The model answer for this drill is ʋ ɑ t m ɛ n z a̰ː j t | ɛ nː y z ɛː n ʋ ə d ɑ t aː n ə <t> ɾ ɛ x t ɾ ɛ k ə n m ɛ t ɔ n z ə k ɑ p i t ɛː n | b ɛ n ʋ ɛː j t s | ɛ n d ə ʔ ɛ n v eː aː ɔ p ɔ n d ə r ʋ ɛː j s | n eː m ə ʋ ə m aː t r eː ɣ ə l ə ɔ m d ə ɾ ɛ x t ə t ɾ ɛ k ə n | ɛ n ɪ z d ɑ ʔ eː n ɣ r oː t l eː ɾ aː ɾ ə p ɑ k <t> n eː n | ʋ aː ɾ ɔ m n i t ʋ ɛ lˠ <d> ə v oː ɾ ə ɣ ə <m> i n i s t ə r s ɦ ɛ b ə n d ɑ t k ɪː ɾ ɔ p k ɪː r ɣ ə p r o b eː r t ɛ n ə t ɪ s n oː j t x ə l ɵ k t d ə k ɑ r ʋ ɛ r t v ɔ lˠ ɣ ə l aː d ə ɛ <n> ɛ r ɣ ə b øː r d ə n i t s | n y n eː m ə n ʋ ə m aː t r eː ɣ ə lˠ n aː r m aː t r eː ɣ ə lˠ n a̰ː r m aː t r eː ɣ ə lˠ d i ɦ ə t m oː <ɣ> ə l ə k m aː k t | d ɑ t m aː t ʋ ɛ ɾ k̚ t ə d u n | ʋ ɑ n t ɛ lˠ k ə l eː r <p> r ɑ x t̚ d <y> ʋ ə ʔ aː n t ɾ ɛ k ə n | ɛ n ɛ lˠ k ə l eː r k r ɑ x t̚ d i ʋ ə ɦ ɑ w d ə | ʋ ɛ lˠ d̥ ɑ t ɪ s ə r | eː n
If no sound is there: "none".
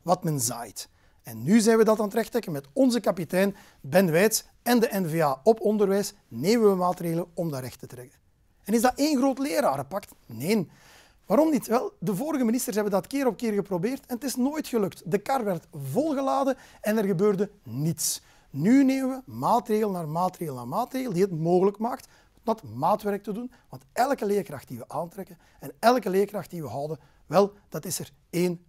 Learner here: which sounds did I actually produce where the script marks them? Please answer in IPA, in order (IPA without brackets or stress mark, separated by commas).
t, t, d, m, n, ɣ, k, i